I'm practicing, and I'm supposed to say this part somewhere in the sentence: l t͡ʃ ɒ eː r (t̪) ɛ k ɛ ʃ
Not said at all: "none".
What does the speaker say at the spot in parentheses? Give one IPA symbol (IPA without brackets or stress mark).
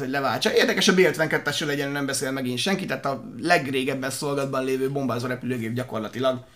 d̪